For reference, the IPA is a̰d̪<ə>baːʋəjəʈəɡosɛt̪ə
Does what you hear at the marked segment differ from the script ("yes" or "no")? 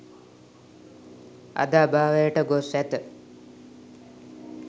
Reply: yes